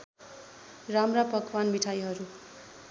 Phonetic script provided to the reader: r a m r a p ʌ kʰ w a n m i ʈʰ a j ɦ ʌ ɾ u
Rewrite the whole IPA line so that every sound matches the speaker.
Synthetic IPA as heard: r a m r a p ʌ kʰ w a n m i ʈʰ a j ɦ ʌ ɾ u